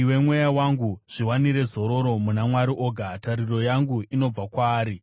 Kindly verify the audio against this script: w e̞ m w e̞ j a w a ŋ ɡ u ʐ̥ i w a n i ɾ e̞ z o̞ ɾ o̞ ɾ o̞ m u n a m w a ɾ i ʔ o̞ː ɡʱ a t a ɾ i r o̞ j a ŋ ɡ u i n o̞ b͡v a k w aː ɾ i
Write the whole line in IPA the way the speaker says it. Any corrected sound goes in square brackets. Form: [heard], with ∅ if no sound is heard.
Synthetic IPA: w e̞ m w e̞ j a w a ŋ ɡ u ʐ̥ i w a n i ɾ e̞ z o̞ ɾ o̞ ɾ o̞ m u n a m w a ɾ i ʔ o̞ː ɡʱ a t a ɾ i r o̞ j a ŋ ɡ u i n o̞ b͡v a k w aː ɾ i